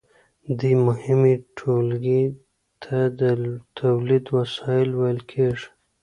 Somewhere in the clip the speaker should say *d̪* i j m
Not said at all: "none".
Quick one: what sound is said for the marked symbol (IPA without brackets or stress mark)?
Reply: d̪